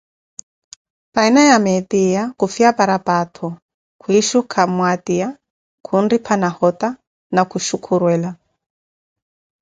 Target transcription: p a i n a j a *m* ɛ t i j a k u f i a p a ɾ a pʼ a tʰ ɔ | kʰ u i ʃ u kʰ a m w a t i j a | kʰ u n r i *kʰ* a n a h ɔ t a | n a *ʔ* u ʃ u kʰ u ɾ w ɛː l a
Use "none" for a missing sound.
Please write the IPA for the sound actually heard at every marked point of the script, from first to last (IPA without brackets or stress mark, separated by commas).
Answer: m, pʰ, k